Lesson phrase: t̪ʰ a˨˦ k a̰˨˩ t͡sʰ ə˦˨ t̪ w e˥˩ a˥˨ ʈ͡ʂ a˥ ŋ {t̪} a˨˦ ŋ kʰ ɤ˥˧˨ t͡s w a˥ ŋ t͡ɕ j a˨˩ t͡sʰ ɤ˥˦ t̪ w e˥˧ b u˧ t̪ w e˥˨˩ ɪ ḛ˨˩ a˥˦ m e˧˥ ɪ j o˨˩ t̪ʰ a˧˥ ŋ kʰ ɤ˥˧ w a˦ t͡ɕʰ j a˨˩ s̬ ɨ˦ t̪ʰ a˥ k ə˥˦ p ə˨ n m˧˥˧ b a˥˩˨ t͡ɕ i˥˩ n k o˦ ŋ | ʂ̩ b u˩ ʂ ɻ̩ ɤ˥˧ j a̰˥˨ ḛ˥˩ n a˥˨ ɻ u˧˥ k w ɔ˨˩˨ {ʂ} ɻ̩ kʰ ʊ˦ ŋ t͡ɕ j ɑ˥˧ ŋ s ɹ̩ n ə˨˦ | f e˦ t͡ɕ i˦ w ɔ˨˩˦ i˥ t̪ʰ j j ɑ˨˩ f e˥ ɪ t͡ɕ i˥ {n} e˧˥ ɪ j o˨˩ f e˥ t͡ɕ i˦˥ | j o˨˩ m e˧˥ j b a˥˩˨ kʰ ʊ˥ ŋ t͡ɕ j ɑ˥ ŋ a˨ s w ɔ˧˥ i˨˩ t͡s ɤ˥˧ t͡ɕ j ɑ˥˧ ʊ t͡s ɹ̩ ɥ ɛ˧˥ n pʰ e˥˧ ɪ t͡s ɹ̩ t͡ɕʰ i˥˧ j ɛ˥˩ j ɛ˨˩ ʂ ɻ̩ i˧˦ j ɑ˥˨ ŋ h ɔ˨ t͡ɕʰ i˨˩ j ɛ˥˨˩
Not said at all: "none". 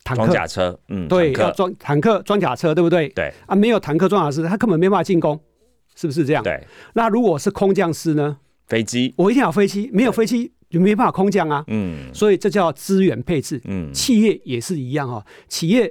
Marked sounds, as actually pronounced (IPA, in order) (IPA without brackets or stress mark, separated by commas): t̪ʰ, ʂ, m